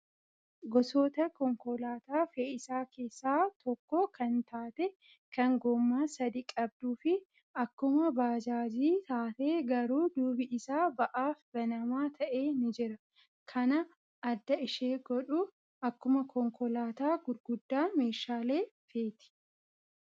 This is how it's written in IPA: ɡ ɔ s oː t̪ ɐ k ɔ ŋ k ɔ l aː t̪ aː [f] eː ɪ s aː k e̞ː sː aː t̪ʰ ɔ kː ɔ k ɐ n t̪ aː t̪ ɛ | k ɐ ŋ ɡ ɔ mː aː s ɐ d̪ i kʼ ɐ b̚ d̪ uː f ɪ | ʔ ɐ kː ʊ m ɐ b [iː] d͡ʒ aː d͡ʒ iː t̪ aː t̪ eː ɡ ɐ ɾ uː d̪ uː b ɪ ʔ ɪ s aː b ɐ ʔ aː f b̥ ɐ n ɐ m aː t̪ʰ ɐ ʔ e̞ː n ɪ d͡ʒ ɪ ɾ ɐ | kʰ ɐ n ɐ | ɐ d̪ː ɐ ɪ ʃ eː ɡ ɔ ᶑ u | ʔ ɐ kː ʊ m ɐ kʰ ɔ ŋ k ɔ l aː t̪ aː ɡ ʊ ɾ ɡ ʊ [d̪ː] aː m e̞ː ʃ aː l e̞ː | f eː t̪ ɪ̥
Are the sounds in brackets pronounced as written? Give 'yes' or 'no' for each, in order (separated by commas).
yes, no, yes